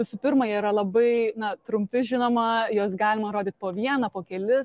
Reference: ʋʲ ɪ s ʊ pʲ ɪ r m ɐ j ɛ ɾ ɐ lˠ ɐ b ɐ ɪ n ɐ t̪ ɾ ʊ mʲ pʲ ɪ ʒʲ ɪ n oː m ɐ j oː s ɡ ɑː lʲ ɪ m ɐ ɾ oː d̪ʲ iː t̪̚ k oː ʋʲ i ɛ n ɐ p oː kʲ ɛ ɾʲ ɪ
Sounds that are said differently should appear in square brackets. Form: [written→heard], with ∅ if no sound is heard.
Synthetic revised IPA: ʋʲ ɪ s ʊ pʲ ɪ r m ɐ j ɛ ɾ ɐ lˠ ɐ b ɐ ɪ n ɐ t̪ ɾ ʊ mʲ pʲ ɪ ʒʲ ɪ n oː m ɐ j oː s ɡ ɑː lʲ ɪ m ɐ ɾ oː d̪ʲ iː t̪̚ [k→p] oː ʋʲ i ɛ n ɐ p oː kʲ ɛ [ɾʲ→lʲ] ɪ

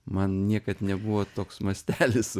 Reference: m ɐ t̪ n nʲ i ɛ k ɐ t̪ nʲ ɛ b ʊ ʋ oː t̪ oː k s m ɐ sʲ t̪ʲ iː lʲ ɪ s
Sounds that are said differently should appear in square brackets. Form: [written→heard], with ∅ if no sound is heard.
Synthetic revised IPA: m ɐ [t̪→∅] n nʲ i ɛ k ɐ t̪ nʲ ɛ b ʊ ʋ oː t̪ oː k s m ɐ sʲ t̪ʲ [iː→æː] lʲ ɪ s

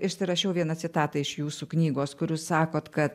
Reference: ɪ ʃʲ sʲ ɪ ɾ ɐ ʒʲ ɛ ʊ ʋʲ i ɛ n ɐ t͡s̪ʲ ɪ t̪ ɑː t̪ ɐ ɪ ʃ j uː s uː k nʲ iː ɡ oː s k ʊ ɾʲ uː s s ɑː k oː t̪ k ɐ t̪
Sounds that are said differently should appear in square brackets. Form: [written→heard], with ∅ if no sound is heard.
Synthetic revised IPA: ɪ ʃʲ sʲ ɪ ɾ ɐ [ʒʲ→ʃʲ] ɛ ʊ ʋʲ i ɛ n ɐ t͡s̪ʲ ɪ t̪ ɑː t̪ ɐ ɪ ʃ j uː s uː k nʲ iː ɡ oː s k ʊ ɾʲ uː s s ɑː k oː t̪ k ɐ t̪

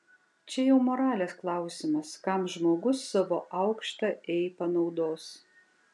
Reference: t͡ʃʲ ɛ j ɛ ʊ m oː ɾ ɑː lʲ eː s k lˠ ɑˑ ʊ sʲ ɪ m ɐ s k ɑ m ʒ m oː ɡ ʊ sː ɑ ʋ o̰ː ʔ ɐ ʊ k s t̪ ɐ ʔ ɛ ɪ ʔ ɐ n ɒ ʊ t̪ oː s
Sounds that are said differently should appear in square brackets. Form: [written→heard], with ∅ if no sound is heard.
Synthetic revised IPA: t͡ʃʲ ɛ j ɛ ʊ m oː ɾ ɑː lʲ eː s k lˠ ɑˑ ʊ sʲ ɪ m ɐ s k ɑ m ʒ m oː ɡ ʊ sː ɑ ʋ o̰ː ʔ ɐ ʊ k [s→ʃ] t̪ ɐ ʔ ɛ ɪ [ʔ→p] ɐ n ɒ ʊ [t̪→d̪] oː s

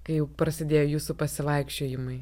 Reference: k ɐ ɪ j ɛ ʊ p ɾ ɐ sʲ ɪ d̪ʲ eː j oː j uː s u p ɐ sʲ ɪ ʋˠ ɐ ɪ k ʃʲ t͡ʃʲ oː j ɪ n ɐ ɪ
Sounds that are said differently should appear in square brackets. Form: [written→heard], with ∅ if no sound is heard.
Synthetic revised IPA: k ɐ ɪ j ɛ ʊ p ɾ ɐ sʲ ɪ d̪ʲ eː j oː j uː s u p ɐ sʲ ɪ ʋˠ ɐ ɪ k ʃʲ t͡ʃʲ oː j ɪ [n→m] ɐ ɪ

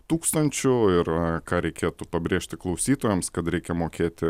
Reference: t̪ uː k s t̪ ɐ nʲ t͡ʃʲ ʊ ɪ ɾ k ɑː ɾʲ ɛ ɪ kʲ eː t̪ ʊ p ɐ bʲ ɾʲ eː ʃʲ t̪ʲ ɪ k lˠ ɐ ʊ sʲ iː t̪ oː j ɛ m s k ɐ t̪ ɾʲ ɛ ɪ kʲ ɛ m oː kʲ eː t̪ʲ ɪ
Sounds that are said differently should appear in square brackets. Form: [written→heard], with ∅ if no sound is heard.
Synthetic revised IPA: t̪ uː k s t̪ ɐ nʲ t͡ʃʲ ʊ ɪ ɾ k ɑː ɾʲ ɛ ɪ kʲ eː t̪ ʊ p ɐ bʲ ɾʲ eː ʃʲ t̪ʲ ɪ k lˠ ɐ ʊ sʲ iː t̪ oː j ɛ m s k ɐ t̪ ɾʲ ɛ ɪ kʲ ɛ m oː kʲ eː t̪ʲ ɪ

